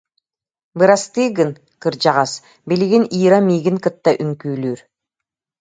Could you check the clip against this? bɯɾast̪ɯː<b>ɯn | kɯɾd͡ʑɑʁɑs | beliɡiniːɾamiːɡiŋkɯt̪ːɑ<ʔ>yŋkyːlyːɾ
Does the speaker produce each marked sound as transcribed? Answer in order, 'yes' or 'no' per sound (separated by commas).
no, yes